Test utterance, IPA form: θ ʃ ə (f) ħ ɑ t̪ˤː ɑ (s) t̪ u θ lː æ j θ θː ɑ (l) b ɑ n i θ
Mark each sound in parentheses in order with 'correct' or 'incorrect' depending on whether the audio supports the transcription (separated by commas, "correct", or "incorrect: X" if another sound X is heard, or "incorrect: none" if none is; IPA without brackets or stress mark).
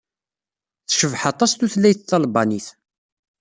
incorrect: v, correct, correct